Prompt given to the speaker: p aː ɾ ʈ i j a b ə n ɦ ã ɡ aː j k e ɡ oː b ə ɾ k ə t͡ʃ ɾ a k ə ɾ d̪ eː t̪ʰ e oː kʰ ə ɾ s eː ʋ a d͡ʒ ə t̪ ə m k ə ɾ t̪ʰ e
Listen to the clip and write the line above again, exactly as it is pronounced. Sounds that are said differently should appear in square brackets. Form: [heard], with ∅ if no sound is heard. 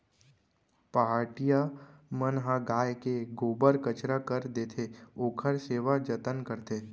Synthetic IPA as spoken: p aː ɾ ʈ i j a [m] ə n ɦ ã ɡ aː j k e ɡ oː b ə ɾ k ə t͡ʃ ɾ a k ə ɾ d̪ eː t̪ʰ e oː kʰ ə ɾ s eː ʋ a d͡ʒ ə t̪ ə [n] k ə ɾ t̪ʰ e